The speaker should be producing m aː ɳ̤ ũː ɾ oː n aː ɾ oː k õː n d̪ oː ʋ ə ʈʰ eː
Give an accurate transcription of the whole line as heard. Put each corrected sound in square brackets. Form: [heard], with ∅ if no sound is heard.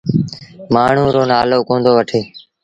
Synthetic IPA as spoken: m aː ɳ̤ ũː ɾ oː n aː [l] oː k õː n d̪ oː ʋ ə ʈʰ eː